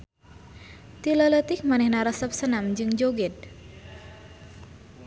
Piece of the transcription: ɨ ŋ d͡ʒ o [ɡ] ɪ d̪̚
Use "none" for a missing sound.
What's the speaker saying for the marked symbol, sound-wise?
ɡ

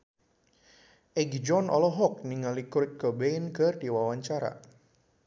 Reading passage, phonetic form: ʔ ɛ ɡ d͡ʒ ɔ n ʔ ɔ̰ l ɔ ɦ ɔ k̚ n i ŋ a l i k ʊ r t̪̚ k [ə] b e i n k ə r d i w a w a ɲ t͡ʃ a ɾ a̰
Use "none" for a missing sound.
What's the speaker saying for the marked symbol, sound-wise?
ə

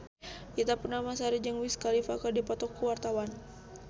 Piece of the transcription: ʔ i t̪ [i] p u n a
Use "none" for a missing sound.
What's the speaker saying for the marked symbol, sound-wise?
a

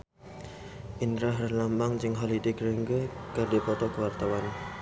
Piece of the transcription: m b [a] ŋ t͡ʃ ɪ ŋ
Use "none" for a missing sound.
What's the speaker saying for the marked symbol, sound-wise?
a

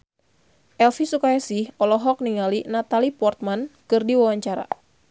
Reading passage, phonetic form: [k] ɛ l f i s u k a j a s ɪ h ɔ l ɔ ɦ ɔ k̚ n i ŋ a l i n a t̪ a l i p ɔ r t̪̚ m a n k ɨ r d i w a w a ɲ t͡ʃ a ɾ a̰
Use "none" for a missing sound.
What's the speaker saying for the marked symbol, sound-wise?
ʔ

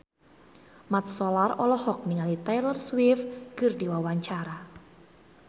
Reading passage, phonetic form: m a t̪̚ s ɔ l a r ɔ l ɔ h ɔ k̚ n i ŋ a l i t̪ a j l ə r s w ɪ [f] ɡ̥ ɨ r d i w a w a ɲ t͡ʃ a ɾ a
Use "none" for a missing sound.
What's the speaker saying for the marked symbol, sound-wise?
f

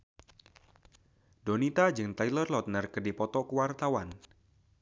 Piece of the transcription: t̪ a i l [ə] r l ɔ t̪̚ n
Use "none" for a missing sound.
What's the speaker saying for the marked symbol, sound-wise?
ə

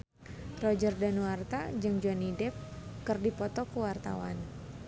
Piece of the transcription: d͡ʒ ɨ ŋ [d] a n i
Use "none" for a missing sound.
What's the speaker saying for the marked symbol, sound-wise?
d͡ʒ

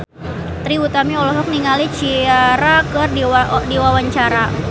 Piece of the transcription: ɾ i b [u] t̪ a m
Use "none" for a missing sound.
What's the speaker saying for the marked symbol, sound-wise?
u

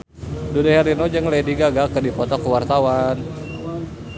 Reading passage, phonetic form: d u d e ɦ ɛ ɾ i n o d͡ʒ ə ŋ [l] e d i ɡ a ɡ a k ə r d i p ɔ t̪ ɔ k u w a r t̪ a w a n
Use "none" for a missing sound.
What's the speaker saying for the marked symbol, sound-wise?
l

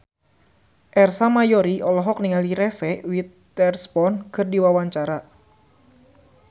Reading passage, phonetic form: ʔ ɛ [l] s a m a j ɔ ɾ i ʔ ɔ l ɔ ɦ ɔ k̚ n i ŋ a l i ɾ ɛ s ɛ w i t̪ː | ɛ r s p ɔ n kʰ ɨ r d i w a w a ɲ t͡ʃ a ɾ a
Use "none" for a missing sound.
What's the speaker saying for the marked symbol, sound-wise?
r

